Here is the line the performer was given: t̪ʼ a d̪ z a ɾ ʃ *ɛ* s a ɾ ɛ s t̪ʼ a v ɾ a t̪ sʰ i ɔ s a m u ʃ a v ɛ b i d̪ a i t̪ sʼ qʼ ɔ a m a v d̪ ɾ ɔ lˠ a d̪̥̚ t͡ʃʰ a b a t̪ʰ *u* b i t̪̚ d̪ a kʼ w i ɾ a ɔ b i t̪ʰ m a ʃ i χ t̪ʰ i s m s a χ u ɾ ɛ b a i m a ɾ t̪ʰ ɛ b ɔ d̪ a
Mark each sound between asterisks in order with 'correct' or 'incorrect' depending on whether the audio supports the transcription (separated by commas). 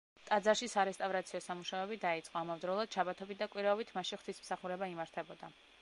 incorrect, incorrect